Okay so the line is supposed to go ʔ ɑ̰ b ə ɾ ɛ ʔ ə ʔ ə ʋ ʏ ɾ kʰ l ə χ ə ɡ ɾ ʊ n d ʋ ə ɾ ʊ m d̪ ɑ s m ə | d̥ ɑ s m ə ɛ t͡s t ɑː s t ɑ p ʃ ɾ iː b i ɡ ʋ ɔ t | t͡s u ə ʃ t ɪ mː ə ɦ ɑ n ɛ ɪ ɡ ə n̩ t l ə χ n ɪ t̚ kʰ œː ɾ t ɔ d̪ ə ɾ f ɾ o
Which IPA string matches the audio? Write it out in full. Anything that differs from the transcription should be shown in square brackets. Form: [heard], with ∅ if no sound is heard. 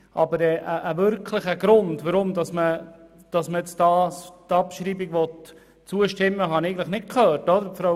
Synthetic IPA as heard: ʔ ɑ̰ b ə ɾ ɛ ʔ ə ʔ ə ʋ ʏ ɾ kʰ l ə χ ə ɡ ɾ ʊ n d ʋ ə ɾ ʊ m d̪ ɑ s m ə | d̥ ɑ s m ə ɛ t͡s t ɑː s t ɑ p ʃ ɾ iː b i ɡ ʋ ɔ t | t͡s u ə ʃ t ɪ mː ə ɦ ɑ n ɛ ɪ ɡ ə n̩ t l ə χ n ɪ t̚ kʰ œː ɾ t ɔ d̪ ə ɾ f ɾ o